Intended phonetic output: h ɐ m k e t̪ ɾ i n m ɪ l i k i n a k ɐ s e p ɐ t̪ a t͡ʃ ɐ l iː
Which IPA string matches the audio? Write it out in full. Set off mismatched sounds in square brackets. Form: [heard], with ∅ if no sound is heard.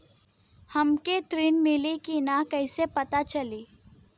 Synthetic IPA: h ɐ m k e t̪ ɾ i n m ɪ l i k i n a k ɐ s e p ɐ t̪ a t͡ʃ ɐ l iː